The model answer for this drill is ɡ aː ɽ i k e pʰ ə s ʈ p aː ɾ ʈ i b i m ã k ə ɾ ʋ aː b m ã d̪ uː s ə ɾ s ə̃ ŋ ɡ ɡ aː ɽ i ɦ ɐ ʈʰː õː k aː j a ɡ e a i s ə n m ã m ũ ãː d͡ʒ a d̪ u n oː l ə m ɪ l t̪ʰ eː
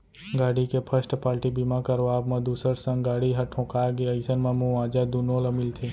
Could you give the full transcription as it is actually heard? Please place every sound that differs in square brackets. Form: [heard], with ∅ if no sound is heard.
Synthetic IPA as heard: ɡ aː ɽ i k e pʰ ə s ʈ p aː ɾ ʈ i b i m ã k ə ɾ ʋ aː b m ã d̪ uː s ə ɾ s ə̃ ŋ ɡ ɡ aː ɽ i ɦ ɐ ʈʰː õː k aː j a ɡ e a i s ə n m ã m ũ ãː d͡ʒ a d̪ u n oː l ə m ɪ l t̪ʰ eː